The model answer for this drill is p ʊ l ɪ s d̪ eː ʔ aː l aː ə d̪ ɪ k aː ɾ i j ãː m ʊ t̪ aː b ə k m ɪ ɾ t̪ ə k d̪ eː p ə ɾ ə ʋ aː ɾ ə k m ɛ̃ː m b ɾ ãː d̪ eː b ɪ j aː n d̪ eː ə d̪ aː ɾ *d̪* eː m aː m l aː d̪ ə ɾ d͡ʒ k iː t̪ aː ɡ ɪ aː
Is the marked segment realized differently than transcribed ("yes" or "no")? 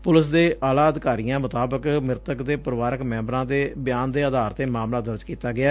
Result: yes